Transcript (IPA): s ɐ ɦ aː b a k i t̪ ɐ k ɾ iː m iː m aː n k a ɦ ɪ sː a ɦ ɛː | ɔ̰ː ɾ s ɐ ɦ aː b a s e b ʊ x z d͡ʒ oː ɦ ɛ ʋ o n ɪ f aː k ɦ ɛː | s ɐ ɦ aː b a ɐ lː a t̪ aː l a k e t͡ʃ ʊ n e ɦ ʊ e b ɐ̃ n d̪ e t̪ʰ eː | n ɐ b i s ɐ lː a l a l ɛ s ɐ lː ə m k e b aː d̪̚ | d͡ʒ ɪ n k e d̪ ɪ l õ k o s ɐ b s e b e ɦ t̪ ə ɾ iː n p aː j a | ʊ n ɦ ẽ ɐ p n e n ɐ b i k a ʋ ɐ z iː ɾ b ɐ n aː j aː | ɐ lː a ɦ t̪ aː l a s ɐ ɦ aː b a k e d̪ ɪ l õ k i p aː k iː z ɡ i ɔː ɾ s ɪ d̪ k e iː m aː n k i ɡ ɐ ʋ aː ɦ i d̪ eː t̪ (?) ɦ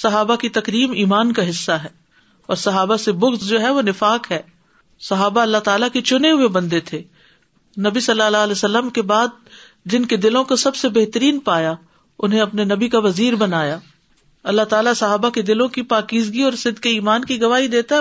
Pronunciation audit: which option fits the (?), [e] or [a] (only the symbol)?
a